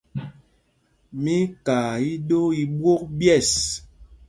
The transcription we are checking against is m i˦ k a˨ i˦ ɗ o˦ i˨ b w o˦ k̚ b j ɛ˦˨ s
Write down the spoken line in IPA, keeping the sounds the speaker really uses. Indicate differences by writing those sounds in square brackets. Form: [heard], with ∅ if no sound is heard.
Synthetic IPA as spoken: m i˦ k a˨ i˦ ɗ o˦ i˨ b w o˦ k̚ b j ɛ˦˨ s